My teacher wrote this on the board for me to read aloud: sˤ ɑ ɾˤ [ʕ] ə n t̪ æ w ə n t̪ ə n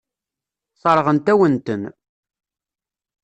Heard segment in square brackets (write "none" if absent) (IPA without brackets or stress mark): ʁ